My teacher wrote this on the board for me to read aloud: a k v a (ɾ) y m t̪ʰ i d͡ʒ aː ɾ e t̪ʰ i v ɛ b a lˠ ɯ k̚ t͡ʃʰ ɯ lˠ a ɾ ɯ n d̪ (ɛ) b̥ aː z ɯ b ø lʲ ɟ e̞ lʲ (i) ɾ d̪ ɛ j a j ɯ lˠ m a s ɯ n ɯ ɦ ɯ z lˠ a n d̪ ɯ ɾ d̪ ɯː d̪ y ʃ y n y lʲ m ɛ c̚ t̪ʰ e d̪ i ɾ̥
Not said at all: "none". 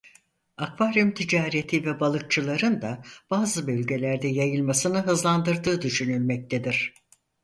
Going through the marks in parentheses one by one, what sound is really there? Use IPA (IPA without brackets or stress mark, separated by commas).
ɾ, a, æ